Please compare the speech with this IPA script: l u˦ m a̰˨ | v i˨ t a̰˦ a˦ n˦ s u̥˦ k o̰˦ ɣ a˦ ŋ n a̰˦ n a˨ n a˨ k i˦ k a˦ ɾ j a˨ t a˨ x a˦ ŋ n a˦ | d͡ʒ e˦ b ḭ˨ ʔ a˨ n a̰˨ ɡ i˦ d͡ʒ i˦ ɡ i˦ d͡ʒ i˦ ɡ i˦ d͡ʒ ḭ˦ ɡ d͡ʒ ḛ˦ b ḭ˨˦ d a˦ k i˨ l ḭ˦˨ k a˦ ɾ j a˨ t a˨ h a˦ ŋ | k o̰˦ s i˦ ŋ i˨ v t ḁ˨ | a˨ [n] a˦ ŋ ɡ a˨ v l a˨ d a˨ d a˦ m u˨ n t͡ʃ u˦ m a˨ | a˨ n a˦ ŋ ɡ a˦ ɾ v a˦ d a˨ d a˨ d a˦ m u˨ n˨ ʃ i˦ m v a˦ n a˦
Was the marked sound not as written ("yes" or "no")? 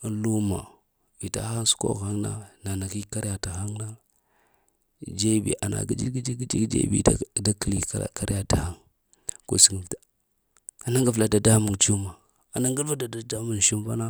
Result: no